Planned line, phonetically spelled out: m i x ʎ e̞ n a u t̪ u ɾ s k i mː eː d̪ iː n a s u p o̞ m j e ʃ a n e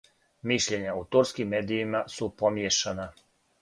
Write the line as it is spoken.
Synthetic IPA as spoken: m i ʃ ʎ e̞ ɲ a u t̪ u ɾ s k i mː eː d̪ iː m a s u p o̞ m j e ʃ a n a